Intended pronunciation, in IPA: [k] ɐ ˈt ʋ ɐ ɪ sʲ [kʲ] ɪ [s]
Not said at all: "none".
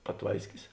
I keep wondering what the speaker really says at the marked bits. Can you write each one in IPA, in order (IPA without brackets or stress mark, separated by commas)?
p, kʲ, s